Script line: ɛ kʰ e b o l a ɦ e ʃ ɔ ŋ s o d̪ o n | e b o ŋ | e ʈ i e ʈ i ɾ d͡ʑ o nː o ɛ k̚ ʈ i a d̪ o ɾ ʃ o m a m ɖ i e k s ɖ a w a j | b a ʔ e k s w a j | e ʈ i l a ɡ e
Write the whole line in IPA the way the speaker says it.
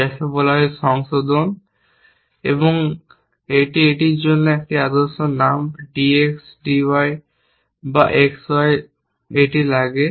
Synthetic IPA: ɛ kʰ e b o l a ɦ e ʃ ɔ ŋ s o d̪ o n | e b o ŋ | e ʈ i e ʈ i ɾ d͡ʑ o nː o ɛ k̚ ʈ i a d̪ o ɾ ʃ o n a m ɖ i e k s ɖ i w a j | b a ʔ e k s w a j | e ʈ i l a ɡ e